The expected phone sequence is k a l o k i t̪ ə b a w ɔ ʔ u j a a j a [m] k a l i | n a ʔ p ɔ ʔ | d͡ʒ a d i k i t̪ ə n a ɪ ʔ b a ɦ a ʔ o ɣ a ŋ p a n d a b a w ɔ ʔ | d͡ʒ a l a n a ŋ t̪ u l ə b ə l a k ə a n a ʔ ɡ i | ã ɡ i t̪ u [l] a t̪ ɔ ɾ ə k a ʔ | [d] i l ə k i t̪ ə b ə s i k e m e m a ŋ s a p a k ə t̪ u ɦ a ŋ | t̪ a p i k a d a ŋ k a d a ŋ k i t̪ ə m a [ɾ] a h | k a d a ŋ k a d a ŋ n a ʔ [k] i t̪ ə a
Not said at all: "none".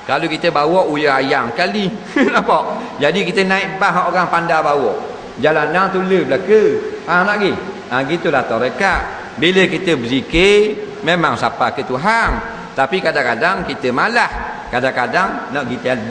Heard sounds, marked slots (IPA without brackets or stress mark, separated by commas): ŋ, l, b, l, ɡ